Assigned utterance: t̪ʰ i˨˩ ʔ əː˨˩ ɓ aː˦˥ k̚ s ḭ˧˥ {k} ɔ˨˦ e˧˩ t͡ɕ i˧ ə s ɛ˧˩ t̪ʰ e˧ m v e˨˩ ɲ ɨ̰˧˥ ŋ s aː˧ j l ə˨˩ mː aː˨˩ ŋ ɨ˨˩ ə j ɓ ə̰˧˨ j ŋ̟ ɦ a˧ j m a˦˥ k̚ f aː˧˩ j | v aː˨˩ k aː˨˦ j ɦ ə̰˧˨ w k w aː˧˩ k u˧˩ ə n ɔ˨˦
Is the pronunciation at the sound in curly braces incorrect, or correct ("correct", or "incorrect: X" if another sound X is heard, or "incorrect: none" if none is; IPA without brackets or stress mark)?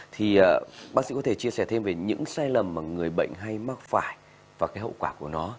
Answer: correct